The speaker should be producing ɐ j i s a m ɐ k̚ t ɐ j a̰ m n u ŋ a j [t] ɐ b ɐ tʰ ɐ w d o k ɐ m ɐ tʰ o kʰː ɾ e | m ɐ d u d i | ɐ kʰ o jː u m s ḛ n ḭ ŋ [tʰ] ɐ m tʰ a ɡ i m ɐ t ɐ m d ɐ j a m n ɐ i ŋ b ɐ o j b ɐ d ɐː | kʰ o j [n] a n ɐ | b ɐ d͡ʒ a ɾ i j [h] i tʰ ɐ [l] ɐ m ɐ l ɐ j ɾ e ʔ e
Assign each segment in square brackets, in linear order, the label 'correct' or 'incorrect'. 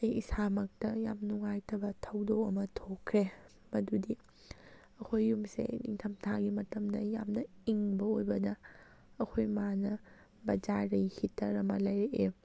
incorrect: tʰ, correct, incorrect: m, correct, incorrect: ɾ

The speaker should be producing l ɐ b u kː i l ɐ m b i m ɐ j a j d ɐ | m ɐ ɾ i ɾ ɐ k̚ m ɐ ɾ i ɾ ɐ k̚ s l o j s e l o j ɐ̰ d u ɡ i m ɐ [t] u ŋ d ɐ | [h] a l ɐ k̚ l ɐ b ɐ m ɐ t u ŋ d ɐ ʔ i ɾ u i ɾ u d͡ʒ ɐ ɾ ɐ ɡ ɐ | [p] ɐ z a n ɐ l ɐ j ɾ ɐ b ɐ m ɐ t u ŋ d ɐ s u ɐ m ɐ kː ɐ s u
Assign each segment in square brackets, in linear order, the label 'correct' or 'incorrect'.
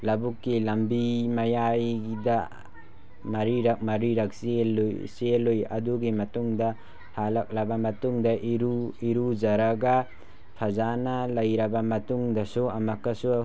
correct, correct, incorrect: pʰ

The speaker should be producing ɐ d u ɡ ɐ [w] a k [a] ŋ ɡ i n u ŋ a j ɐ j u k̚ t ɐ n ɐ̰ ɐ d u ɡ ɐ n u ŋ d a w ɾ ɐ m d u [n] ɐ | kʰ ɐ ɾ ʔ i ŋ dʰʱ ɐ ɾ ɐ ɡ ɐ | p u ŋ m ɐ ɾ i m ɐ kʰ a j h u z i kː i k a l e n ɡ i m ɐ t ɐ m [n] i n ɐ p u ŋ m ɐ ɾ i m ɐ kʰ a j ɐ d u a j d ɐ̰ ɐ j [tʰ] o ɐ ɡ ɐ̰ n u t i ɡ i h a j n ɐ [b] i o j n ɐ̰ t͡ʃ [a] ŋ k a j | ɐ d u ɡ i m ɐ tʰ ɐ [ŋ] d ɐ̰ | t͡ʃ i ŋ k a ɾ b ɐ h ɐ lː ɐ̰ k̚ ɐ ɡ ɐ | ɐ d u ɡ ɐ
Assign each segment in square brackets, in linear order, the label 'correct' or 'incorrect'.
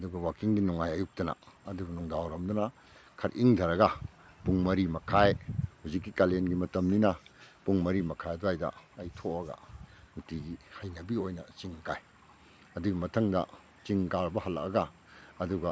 correct, incorrect: i, correct, correct, correct, correct, incorrect: i, correct

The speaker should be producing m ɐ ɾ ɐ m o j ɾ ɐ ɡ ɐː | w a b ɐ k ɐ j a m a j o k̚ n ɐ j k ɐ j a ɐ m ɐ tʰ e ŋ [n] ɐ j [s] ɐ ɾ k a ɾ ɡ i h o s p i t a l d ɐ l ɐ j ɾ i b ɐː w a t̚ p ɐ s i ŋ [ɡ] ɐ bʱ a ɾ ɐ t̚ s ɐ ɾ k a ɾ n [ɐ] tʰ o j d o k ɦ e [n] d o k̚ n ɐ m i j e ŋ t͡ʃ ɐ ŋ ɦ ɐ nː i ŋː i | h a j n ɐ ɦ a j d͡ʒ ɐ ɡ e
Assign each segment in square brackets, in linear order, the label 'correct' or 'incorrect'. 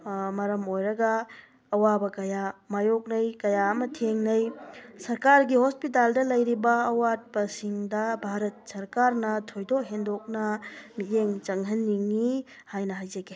correct, correct, incorrect: d, correct, correct

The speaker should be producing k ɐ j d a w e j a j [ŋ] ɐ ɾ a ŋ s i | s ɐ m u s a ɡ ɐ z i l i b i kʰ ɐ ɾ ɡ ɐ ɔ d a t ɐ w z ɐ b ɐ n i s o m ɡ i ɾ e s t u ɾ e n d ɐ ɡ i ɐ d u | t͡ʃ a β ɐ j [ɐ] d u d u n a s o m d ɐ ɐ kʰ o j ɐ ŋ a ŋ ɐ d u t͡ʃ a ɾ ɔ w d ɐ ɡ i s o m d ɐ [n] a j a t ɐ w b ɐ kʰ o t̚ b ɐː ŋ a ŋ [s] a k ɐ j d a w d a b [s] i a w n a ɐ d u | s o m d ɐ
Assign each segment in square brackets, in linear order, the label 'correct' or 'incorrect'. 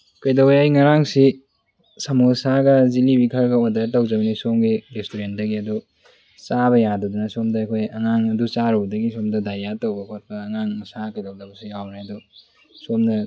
correct, incorrect: a, incorrect: d, correct, correct

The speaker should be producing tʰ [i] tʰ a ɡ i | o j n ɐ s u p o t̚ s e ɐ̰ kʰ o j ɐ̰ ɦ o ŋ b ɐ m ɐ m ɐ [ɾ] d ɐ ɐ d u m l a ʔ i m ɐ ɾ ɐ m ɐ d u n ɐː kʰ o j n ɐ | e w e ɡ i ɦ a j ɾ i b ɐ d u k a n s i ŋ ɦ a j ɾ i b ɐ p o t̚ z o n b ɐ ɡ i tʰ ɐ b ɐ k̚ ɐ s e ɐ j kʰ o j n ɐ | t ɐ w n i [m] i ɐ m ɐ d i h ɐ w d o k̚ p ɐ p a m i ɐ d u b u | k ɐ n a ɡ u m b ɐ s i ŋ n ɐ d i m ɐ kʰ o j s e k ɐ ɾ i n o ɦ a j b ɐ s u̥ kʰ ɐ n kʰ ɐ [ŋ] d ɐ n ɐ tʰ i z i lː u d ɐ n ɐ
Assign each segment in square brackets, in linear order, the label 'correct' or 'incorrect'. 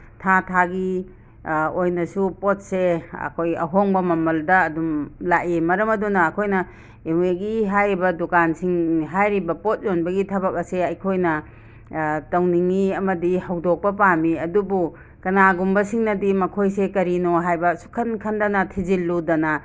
incorrect: a, incorrect: l, incorrect: ŋ, incorrect: n

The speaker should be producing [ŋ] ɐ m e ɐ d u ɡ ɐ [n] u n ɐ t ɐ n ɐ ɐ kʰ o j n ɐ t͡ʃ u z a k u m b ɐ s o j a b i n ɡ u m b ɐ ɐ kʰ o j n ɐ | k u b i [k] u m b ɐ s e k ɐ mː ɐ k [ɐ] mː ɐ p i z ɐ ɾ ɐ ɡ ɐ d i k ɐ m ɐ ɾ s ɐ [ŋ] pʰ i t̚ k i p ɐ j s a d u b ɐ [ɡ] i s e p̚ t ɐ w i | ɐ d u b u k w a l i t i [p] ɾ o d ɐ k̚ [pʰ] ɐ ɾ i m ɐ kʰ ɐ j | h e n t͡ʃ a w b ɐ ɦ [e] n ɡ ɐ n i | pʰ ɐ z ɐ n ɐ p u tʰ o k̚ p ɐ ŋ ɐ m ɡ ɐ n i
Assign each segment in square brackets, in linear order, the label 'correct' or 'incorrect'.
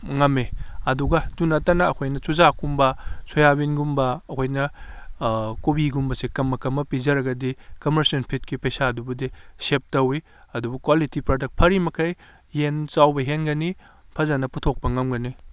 correct, incorrect: d, incorrect: ɡ, correct, incorrect: n, incorrect: d, correct, correct, correct

